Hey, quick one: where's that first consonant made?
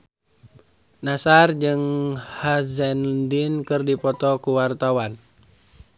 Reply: tongue tip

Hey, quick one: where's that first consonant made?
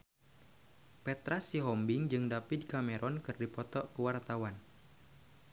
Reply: lips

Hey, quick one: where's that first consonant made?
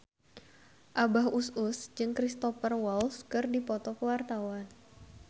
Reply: throat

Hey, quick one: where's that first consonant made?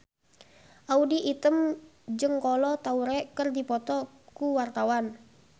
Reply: throat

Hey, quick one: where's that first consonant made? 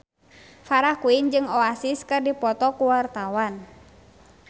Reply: lips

